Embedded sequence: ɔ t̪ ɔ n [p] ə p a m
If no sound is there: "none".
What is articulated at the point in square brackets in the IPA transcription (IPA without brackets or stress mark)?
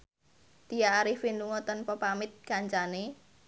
p